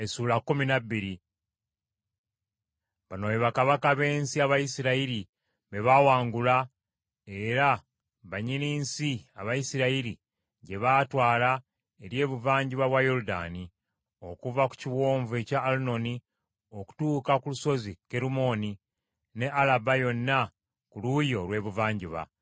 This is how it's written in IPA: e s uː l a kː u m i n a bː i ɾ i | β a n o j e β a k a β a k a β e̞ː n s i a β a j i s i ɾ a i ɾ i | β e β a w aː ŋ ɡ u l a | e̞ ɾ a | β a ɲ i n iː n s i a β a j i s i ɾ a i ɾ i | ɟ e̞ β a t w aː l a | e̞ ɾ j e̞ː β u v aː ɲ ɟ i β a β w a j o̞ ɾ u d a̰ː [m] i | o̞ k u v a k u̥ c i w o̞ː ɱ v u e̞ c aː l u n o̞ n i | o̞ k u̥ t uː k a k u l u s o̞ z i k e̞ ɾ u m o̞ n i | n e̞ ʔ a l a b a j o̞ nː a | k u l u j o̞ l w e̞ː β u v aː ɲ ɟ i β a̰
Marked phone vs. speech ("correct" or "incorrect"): incorrect